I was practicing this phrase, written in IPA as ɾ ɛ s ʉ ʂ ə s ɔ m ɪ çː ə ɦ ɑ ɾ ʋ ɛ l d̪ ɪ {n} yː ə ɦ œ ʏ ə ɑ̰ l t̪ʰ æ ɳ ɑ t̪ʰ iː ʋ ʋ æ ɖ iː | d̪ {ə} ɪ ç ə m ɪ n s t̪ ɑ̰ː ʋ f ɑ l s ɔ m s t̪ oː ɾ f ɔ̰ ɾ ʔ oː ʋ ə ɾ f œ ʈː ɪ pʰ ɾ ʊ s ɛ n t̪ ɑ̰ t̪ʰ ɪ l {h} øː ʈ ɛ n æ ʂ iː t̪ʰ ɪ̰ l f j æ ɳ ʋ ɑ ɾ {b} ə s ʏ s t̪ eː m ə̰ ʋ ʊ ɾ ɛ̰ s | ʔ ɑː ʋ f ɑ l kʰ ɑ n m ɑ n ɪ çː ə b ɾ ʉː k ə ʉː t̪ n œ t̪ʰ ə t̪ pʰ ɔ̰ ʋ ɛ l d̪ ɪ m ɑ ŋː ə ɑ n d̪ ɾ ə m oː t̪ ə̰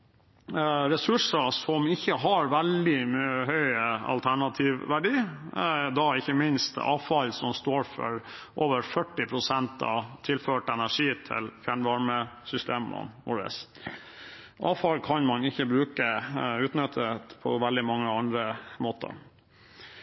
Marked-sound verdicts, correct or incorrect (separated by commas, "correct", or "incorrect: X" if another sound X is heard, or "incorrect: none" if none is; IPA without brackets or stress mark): incorrect: m, incorrect: ɑ, incorrect: f, incorrect: m